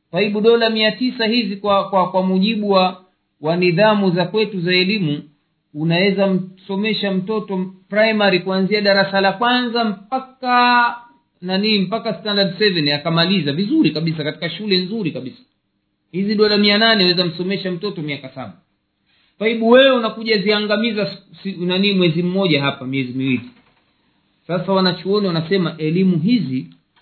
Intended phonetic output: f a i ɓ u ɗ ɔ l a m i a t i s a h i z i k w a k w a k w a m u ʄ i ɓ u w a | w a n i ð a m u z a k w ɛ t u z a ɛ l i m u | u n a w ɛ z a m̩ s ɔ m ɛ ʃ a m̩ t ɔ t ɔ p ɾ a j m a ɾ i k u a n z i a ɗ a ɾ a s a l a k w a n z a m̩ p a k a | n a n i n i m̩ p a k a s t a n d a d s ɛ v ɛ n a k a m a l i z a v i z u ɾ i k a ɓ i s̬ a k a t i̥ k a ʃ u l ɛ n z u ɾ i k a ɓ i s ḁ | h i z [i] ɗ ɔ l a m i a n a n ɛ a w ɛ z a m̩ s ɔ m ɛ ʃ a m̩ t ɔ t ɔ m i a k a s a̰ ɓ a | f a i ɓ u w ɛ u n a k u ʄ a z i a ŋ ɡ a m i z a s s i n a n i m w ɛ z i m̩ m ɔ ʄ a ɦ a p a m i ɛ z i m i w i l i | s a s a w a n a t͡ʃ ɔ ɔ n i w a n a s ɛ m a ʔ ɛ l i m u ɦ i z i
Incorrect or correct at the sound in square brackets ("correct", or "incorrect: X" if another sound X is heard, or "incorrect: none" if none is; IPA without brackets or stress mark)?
correct